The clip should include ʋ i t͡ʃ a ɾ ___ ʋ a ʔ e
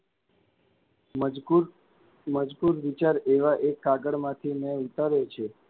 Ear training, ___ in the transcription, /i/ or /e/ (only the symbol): e